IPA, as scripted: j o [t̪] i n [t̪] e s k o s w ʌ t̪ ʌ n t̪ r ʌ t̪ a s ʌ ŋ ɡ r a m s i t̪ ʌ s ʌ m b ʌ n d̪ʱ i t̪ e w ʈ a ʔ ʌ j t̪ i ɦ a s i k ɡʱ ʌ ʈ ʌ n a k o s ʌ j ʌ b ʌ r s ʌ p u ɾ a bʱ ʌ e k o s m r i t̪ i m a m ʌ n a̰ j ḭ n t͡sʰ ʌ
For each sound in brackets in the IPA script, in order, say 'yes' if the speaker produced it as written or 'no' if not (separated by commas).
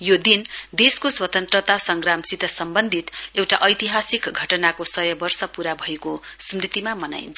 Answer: no, no